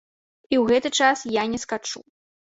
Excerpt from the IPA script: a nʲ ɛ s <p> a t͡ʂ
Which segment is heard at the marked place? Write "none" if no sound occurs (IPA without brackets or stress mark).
k